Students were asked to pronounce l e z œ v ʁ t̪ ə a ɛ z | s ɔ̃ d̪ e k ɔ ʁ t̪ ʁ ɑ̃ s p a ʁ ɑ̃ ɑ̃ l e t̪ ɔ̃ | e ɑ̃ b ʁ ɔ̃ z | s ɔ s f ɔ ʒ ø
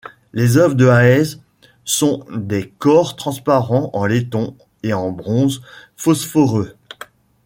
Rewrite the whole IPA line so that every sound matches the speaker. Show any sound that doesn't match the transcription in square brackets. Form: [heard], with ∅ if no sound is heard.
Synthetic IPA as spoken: l e z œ v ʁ [d̪] ə a ɛ z | s ɔ̃ d̪ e k ɔ ʁ t̪ [χ] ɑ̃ s p a ʁ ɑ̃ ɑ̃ l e t̪ ɔ̃ | e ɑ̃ b ʁ ɔ̃ z | [f] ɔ s f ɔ [ʁ] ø